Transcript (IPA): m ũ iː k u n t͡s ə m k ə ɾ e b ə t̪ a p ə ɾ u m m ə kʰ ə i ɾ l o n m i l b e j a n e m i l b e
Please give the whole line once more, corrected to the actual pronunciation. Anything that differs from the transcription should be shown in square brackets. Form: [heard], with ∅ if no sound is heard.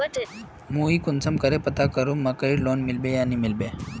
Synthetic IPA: m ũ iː k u n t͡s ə m k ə ɾ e [p] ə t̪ a [k] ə ɾ u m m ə [k] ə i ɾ l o n m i l b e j a n [i] m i l b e